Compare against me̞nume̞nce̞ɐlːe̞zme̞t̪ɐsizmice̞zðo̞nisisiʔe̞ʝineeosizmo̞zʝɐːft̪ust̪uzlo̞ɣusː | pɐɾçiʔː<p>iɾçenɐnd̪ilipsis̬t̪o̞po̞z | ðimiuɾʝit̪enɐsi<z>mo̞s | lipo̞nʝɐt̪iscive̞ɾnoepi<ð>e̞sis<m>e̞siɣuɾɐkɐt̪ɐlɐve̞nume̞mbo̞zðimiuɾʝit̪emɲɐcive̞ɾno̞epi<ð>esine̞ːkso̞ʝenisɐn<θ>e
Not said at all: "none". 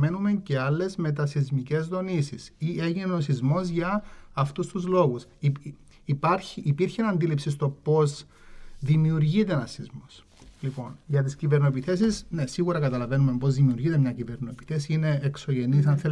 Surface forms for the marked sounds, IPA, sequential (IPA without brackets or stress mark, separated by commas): p, z, θ, n, θ, θ